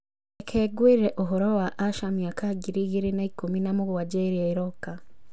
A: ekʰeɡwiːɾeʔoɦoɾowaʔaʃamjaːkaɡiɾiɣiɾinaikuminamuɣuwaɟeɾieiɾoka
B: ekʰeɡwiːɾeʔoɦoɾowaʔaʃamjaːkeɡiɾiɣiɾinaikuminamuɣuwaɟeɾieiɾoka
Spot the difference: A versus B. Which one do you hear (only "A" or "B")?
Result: A